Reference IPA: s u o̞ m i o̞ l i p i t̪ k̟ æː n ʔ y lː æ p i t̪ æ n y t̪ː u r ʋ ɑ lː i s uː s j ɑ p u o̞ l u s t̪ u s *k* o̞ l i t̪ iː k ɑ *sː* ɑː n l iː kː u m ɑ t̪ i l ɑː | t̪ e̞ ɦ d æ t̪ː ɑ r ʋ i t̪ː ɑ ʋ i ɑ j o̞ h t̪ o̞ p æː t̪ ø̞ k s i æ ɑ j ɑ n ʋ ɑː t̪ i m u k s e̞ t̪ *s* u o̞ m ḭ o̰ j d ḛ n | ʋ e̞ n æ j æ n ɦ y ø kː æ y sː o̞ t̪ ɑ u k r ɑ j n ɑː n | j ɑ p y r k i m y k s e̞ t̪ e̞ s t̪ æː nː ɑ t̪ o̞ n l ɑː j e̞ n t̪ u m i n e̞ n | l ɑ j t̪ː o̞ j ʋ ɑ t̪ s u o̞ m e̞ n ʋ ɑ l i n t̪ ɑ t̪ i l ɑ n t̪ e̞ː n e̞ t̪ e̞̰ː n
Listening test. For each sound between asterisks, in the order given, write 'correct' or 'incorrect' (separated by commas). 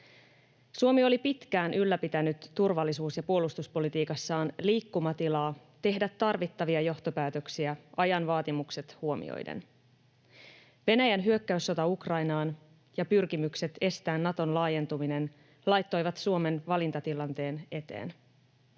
incorrect, correct, incorrect